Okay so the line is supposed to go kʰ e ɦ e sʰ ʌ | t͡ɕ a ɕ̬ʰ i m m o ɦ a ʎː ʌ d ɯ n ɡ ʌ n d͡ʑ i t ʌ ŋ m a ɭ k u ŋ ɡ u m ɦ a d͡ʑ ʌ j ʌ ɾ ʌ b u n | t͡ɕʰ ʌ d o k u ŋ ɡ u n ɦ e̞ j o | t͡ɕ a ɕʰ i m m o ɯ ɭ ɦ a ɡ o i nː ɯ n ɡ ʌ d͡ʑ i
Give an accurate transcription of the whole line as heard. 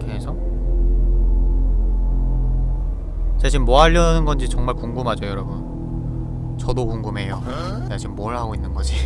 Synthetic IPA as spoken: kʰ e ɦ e sʰ ʌ | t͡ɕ a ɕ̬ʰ i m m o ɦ a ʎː ʌ n ɯ n ɡ ʌ n d͡ʑ i t͡ɕ ʌ ŋ m a ɭ k u ŋ ɡ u m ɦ a d͡ʑ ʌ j ʌ ɾ ʌ b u n | t͡ɕ ʌ d o k u ŋ ɡ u m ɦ e̞ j o | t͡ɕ a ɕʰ i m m o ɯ ɭ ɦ a ɡ o i nː ɯ n ɡ ʌ d͡ʑ i